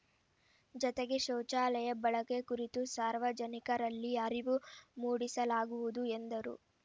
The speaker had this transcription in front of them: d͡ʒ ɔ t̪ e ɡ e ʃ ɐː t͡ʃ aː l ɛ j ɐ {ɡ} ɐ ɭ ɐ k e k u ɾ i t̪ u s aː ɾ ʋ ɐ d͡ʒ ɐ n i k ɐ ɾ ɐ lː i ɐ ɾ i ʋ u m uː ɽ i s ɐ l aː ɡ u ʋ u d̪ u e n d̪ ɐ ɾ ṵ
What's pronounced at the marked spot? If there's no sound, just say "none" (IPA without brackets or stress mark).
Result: b